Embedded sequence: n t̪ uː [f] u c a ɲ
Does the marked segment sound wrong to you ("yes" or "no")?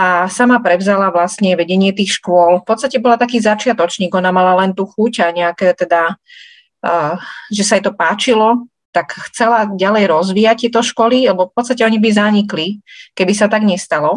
yes